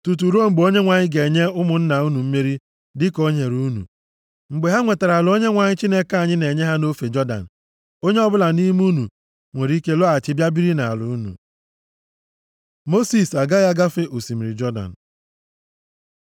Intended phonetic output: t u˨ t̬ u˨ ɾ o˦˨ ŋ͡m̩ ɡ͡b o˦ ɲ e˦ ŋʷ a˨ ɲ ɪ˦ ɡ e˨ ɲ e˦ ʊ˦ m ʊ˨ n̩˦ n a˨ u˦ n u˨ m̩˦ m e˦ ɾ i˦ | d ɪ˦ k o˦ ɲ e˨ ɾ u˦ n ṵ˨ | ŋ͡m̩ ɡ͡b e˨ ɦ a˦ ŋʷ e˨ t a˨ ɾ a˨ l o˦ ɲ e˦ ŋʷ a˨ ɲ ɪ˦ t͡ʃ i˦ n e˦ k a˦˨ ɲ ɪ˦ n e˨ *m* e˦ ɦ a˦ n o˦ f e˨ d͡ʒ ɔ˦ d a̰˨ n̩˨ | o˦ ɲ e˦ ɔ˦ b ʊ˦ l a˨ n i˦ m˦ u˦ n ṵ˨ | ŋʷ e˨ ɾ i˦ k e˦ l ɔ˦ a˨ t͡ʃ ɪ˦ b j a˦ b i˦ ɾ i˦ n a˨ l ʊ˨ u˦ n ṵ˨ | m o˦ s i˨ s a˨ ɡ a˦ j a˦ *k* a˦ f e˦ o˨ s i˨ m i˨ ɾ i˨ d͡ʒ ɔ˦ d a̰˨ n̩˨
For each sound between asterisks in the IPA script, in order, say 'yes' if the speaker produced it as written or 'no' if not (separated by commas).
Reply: no, no